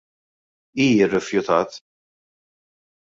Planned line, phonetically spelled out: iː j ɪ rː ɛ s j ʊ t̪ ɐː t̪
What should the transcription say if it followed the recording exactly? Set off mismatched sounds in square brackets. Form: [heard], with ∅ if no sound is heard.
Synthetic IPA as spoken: iː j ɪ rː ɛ [f] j ʊ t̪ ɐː t̪

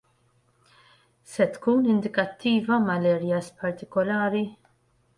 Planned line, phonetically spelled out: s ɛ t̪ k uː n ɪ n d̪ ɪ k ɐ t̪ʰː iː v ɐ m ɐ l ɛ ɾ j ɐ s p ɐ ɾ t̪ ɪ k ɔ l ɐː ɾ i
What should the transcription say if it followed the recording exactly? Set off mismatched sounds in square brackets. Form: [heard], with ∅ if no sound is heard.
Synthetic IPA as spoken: s ɛ t̪ k uː n ɪ n d̪ ɪ k ɐ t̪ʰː iː v ɐ m ɐ l ɛ ɾ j ɐ s p ɐ ɾ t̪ ɪ k ɔ l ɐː ɾ i

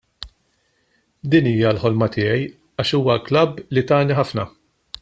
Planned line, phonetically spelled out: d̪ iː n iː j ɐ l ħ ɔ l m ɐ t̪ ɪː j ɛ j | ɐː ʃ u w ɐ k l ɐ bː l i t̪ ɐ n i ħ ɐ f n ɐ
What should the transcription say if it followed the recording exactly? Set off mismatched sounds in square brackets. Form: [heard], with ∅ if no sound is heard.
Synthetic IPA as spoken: d̪ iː n iː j ɐ l ħ ɔ l m ɐ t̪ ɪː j ɛ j | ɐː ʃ [uː] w ɐ k l ɐ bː l i t̪ [ɐː] n i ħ ɐ f n ɐ

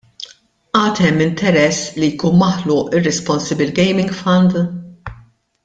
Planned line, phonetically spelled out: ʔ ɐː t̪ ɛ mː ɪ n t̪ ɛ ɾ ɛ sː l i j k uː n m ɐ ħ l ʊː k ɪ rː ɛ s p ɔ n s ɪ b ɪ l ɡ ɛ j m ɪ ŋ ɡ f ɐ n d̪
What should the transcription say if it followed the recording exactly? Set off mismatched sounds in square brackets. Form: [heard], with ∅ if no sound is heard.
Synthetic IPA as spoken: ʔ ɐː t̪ ɛ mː ɪ n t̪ ɛ ɾ ɛ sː l i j k uː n m ɐ ħ l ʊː [ʔ] ɪ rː ɛ s p ɔ n s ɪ b ɪ l ɡ ɛ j m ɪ ŋ ɡ f ɐ n d̪

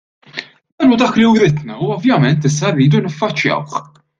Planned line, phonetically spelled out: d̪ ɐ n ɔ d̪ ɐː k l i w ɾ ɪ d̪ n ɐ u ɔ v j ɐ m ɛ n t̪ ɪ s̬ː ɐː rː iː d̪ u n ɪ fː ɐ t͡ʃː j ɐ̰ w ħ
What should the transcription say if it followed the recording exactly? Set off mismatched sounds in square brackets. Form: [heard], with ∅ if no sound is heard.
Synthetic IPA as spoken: d̪ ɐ n [u] d̪ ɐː k l i w ɾ ɪ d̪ n ɐ u ɔ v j ɐ m ɛ n t̪ ɪ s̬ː [ɐ] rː iː d̪ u n ɪ fː ɐ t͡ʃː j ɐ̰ w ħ

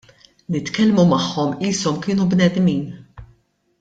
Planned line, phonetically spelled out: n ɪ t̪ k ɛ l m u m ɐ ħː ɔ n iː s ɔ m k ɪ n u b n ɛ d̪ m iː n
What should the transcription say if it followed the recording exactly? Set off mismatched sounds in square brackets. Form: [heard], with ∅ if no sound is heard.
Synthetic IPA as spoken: n ɪ t̪ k ɛ l m u m ɐ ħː ɔ [m] iː s ɔ m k [ɪː] n u b n ɛ d̪ m iː n

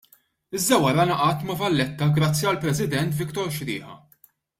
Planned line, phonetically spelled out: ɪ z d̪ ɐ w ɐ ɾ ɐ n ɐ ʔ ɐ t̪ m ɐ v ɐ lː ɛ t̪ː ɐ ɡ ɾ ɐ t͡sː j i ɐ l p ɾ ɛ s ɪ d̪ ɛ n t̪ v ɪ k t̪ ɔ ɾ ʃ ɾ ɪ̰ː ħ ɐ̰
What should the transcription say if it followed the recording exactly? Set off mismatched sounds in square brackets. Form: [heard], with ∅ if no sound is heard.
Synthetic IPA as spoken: ɪ z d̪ ɐ w ɐ ɾ ɐ n ɐ ʔ ɐ t̪ m ɐ v ɐ lː ɛ t̪ː ɐ ɡ ɾ ɐ t͡sː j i ɐ l p ɾ ɛ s ɪ d̪ ɛ n t̪ v ɪ k t̪ ɔ ɾ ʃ ɾ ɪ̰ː ħ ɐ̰

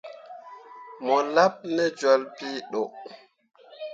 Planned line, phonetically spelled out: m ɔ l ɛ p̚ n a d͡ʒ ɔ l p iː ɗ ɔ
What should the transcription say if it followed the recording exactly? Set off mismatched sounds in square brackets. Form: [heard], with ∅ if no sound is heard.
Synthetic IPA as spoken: m ɔ l [a] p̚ n [ɛ] d͡ʒ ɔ l p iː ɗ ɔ

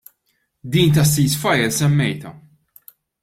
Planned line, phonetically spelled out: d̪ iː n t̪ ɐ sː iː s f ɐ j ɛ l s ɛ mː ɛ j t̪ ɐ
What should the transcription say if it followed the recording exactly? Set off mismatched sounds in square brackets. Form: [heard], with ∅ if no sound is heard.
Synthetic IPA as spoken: d̪ iː n t̪ ɐ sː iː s f ɐ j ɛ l s ɛ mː ɛ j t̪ ɐ

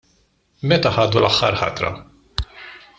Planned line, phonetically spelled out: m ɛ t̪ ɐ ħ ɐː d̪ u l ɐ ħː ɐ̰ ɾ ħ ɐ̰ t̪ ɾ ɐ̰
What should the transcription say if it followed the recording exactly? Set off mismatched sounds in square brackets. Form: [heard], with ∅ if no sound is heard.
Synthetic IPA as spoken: m ɛ t̪ ɐ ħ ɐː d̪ u l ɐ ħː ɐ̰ ɾ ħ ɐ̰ t̪ ɾ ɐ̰

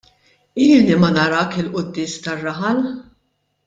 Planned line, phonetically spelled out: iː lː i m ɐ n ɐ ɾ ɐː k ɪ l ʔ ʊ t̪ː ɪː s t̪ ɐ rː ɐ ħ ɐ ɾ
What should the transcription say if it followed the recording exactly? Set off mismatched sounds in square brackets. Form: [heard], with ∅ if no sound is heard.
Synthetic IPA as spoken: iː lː i m ɐ n ɐ ɾ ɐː k ɪ l ʔ ʊ [d̪ː] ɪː s t̪ ɐ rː ɐ ħ ɐ [l]

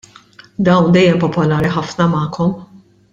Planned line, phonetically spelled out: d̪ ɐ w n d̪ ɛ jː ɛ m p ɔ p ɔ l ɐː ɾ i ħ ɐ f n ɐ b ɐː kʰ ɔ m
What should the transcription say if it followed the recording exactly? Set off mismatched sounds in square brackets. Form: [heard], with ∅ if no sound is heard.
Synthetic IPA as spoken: d̪ ɐ w n d̪ ɛ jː ɛ m p ɔ p ɔ l ɐː ɾ i ħ ɐ f n ɐ [m] ɐː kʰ ɔ m

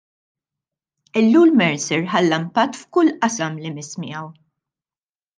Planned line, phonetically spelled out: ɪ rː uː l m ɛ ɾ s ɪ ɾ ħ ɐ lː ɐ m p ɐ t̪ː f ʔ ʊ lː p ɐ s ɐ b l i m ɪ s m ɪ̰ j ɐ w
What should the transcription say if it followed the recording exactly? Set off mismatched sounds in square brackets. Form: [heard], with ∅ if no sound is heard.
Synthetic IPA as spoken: ɪ [lː] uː l m ɛ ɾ s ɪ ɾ ħ ɐ lː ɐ m p ɐ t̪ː f [k] ʊ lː [ʔ] ɐ s ɐ [m] l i m ɪ s m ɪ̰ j ɐ w

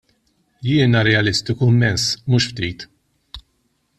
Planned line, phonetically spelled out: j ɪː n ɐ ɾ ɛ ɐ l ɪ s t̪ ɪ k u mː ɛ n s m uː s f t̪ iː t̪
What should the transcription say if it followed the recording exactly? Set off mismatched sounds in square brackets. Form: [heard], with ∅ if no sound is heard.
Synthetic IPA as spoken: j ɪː n ɐ ɾ ɛ ɐ l ɪ s t̪ ɪ k u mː ɛ n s m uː [ʃ] f t̪ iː t̪

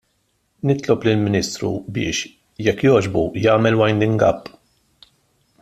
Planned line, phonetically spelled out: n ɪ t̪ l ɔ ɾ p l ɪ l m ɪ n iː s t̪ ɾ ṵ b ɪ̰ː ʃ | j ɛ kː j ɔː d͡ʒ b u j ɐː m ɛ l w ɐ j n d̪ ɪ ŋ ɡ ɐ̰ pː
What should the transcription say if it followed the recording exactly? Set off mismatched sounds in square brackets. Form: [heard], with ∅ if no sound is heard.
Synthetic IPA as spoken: n ɪ t̪ l ɔ [∅] p l ɪ l m ɪ n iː s t̪ ɾ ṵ b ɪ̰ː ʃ | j ɛ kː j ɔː d͡ʒ b u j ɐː m ɛ l w ɐ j n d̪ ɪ ŋ ɡ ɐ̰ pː

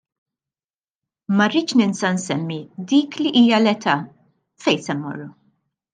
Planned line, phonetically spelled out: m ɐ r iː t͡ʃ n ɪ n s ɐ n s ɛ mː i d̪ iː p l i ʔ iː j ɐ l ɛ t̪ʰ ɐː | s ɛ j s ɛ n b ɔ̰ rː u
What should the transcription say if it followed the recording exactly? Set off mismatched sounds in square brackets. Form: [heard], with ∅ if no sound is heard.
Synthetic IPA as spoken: m ɐ r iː t͡ʃ n ɪ n s ɐ n s ɛ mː i d̪ iː [k] l i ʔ iː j ɐ l ɛ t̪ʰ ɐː | [f] ɛ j s ɛ n [m] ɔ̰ rː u

